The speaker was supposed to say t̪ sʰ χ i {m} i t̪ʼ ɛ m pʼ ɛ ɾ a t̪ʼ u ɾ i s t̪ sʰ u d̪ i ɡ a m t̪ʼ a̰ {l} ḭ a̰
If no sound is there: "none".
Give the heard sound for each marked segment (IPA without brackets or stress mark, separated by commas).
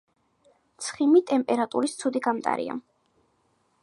m, ɾ